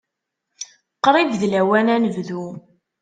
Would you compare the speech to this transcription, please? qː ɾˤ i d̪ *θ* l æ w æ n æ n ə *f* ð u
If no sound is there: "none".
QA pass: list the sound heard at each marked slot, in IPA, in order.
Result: ð, v

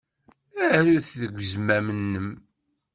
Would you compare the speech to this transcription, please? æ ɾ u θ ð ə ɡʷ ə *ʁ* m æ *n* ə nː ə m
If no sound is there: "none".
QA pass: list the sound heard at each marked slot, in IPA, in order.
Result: z, m

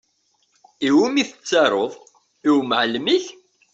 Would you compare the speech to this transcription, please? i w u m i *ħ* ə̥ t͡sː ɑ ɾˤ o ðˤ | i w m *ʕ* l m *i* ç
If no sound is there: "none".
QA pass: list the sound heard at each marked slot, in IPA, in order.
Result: θ, ʕ, i

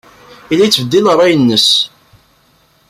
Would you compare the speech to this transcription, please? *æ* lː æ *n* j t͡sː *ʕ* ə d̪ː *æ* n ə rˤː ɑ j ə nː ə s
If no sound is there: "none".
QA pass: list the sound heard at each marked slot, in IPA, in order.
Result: i, none, v, i

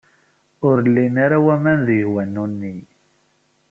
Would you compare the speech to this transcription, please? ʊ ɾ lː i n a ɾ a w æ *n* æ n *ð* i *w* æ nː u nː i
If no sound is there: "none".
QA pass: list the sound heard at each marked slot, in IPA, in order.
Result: m, ð, w

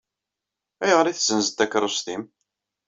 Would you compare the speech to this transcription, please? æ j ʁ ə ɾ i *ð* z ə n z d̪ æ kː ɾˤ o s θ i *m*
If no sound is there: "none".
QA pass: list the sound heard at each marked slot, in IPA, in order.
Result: θ, m

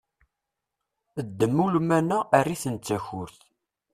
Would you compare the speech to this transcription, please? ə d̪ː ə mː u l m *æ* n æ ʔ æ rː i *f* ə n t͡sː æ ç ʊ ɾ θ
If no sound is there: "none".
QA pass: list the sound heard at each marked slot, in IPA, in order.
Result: æ, θ

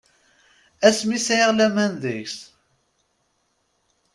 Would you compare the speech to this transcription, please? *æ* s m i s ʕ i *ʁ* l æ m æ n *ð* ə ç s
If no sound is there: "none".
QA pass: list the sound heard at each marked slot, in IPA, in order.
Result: æ, ʁ, ð

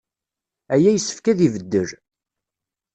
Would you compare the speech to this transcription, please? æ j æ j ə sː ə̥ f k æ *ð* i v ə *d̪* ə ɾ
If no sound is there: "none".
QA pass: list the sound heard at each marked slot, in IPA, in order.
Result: ð, d̪ː

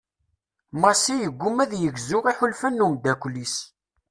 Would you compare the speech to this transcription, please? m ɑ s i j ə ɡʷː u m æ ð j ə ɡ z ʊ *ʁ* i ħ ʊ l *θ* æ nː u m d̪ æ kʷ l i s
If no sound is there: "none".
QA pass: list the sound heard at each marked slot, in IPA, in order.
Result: ʁ, f

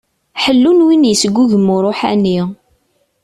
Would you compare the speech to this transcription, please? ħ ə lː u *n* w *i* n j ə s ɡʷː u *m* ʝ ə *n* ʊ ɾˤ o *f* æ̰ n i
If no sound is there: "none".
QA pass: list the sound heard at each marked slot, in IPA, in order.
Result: n, i, none, m, ħ

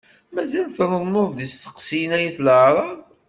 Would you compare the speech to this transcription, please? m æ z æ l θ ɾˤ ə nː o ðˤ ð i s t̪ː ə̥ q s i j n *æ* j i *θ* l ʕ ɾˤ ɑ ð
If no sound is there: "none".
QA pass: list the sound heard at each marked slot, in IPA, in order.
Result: æ, θ

